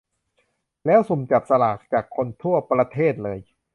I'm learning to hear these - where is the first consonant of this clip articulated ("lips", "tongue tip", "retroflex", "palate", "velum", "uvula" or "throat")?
tongue tip